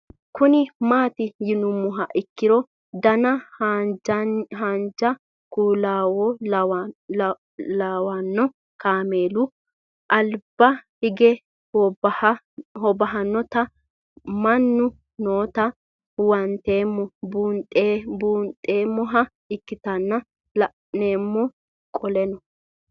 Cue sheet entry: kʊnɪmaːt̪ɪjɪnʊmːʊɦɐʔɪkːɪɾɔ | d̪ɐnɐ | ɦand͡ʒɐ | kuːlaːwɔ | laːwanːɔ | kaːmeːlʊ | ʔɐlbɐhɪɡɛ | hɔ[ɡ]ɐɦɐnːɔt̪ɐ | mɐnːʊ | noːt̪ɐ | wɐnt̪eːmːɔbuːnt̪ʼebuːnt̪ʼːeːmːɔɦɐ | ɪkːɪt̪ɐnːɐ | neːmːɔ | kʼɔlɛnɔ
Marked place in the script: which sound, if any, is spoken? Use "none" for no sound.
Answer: b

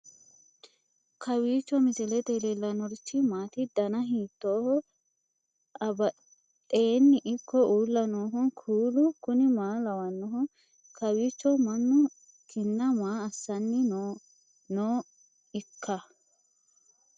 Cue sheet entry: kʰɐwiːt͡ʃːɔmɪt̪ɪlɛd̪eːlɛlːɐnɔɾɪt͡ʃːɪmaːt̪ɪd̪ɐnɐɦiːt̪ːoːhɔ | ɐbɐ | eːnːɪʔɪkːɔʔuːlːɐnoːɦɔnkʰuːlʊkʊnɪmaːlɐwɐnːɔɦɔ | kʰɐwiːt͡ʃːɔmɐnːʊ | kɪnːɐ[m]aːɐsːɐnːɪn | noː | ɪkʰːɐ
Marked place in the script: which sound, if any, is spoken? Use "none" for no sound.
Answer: m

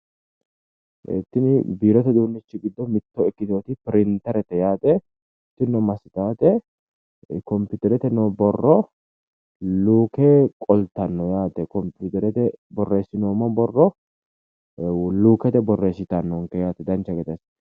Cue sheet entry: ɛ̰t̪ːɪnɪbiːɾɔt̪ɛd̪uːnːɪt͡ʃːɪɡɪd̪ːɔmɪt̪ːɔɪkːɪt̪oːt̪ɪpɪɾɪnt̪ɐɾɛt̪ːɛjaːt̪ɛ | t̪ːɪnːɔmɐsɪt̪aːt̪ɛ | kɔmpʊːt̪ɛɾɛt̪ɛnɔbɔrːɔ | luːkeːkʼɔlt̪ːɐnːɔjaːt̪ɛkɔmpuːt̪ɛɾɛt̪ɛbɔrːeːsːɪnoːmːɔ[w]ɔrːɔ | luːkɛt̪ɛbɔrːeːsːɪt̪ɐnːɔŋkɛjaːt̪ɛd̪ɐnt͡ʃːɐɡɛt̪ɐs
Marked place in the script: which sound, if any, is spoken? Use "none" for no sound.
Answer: b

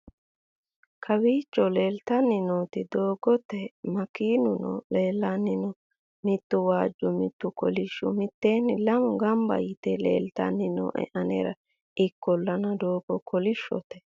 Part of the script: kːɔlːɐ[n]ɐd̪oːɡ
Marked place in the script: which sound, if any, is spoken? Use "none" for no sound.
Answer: n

